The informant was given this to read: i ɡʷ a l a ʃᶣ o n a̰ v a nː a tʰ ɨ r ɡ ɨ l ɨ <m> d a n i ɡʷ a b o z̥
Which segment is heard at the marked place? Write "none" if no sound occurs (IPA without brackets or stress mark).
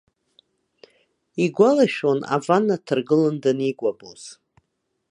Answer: n